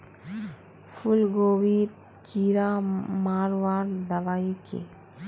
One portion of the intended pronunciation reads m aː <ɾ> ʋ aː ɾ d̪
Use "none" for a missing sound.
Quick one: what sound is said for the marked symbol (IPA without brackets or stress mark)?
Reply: ɾ